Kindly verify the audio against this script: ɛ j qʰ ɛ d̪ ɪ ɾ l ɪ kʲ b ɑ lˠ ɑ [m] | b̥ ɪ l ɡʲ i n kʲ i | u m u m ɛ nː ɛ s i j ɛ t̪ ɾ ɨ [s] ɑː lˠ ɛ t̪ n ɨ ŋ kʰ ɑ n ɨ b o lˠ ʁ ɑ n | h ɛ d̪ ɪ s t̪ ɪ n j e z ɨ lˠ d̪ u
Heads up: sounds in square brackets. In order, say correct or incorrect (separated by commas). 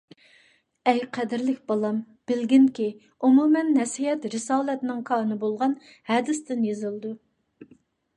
correct, correct